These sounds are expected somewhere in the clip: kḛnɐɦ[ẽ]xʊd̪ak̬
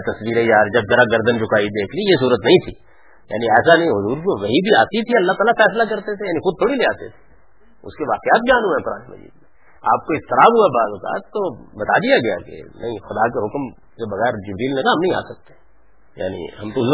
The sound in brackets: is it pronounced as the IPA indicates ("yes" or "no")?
no